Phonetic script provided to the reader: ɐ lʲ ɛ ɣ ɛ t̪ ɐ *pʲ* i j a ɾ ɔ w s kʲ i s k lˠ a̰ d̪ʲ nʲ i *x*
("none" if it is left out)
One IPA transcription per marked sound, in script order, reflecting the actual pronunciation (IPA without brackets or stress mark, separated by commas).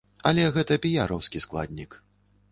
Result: pʲ, k